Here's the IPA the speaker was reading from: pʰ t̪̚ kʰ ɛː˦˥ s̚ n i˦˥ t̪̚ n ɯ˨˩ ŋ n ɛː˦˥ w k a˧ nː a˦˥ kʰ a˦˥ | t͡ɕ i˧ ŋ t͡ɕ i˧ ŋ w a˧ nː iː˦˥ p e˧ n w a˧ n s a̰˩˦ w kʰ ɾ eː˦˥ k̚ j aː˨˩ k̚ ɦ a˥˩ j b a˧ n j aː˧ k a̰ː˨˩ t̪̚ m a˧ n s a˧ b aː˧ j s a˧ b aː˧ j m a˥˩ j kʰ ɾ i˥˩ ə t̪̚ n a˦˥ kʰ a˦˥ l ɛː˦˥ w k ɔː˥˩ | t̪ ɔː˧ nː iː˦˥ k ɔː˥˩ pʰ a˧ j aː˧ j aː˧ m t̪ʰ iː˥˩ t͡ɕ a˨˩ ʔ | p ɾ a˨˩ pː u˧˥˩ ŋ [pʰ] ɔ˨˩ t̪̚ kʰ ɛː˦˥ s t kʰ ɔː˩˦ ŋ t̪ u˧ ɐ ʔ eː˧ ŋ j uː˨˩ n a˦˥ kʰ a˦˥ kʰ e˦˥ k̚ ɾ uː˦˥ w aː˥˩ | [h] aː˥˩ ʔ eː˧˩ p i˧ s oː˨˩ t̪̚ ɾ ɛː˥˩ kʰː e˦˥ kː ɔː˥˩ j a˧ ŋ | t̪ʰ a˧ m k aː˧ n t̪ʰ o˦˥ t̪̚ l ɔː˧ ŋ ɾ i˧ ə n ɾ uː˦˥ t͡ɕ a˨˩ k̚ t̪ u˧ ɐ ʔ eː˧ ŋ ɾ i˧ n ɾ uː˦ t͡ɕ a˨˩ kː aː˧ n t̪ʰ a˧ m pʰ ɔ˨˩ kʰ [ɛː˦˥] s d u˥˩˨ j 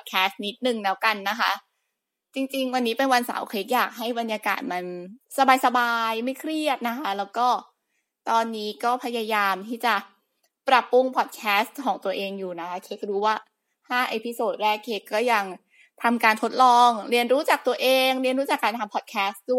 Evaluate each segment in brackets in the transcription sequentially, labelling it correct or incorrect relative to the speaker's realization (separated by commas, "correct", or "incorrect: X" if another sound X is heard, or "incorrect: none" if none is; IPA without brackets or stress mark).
correct, correct, correct